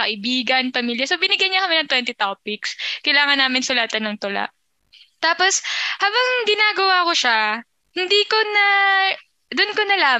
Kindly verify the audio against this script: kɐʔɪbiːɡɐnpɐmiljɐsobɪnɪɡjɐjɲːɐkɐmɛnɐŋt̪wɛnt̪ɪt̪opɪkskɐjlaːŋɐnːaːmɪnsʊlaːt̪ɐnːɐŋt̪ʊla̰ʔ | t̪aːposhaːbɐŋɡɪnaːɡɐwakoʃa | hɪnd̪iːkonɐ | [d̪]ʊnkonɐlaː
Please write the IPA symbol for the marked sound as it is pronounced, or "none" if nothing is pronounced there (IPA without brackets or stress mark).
d̪